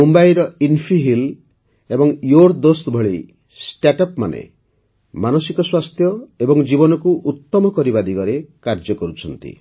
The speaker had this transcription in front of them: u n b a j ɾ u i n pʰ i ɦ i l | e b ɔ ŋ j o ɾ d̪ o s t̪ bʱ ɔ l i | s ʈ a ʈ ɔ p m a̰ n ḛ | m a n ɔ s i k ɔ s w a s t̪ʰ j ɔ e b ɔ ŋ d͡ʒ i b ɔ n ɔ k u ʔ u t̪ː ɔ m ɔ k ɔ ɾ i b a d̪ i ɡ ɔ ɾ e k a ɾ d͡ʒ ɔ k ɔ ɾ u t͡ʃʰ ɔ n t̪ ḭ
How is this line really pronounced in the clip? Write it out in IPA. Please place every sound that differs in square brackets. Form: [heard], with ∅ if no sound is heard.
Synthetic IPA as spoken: u [m] b a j ɾ [ɔ] i n pʰ i ɦ i l | e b ɔ ŋ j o ɾ d̪ o s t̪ bʱ ɔ [ɭ] i | s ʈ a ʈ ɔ p m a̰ n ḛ | m a n ɔ s i k ɔ s w a s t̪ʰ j ɔ e b ɔ ŋ d͡ʒ i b ɔ n ɔ k u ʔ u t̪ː ɔ m ɔ k ɔ ɾ i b a d̪ i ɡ ɔ ɾ e k a ɾ d͡ʒ ɔ k ɔ ɾ u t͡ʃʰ ɔ n t̪ ḭ